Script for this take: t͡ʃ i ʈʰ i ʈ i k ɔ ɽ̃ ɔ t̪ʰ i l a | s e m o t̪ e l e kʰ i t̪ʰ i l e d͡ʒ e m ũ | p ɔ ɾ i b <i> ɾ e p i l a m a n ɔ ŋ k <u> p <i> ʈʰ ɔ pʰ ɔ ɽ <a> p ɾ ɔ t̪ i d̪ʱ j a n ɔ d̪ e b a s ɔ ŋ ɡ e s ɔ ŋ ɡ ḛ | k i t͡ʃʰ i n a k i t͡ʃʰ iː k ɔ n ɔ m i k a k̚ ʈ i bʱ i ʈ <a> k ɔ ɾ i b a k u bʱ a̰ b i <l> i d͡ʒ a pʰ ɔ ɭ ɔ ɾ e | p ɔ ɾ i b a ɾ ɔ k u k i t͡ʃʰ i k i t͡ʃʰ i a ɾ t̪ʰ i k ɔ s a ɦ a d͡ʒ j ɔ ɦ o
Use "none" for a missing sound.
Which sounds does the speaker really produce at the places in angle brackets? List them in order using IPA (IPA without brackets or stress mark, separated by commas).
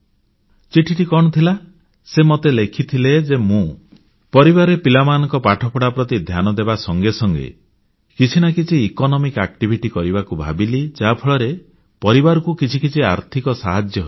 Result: a, ɔ, a, a, i, l